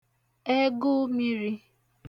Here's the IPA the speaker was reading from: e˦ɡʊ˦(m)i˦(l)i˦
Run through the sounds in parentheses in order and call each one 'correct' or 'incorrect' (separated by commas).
correct, incorrect